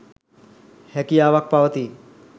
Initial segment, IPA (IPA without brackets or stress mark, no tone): h